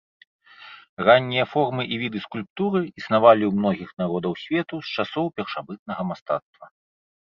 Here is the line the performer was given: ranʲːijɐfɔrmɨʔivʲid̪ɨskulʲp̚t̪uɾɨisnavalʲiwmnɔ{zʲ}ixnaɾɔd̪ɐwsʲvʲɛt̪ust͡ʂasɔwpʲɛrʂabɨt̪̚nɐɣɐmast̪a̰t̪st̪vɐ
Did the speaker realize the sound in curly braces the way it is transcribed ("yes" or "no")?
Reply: no